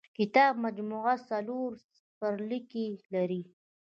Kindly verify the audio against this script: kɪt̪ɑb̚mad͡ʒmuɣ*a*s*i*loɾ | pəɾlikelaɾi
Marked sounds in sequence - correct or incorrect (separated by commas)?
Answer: correct, incorrect